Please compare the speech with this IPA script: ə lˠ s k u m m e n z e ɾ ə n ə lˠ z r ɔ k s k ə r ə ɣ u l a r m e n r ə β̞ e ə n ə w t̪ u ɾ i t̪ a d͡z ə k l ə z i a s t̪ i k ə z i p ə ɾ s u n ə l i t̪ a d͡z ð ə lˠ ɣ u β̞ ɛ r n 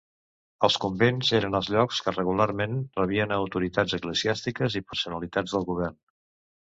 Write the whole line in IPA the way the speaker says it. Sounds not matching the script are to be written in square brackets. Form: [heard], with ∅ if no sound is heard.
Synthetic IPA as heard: ə lˠ s k u m [b] e n z e ɾ ə n ə lˠ z [ʎ] ɔ k s k ə r ə ɣ u l a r m e n r ə β̞ [i] ə n ə w t̪ u ɾ i t̪ a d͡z ə k l ə z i a s t̪ i k ə z i p ə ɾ s u n ə l i t̪ a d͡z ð ə lˠ ɣ u β̞ ɛ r n